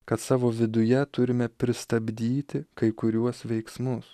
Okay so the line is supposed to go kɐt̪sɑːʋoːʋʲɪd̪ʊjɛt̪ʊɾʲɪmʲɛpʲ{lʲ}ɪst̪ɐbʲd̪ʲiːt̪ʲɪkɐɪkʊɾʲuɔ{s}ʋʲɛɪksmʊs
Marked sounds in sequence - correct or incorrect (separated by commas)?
incorrect, correct